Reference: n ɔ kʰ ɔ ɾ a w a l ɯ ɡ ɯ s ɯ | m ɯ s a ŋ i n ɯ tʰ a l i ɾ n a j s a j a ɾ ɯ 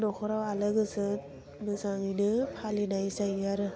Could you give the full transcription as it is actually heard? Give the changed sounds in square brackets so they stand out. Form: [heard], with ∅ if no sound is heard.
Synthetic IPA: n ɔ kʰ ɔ ɾ a w a l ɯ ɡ ɯ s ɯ | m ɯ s a ŋ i n ɯ [pʰ] a l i [∅] n a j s a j a ɾ ɯ